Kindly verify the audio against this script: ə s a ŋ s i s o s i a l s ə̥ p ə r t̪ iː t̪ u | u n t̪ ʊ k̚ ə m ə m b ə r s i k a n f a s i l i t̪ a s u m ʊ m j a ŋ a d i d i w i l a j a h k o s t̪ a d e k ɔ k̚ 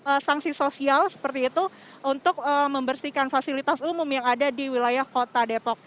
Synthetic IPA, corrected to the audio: ə s a ŋ s i s o s i a l s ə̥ p ə r t̪ iː t̪ u | u n t̪ ʊ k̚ ə m ə m b ə r s i k a n f a s i l i t̪ a s u m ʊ m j a ŋ a d a d i w i l a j a h k o t̪ a d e p ɔ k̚